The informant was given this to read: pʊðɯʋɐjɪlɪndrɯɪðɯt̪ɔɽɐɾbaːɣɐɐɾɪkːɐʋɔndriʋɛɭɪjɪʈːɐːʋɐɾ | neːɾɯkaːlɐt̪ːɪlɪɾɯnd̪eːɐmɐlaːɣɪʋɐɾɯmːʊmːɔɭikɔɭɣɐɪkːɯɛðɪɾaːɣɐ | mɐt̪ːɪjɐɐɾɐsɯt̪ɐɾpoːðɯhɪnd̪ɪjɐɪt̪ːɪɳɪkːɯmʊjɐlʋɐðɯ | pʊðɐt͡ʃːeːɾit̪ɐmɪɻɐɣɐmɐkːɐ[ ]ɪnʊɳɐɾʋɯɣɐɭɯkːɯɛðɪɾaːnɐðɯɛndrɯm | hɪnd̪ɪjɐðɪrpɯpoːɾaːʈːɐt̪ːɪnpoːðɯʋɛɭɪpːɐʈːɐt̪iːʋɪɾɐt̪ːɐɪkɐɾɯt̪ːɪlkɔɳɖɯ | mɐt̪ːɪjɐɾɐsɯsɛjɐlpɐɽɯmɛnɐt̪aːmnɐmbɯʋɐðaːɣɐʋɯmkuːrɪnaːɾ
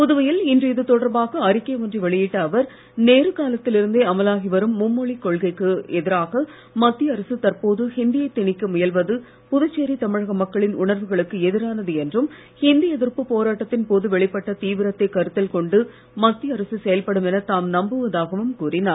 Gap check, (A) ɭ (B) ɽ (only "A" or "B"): A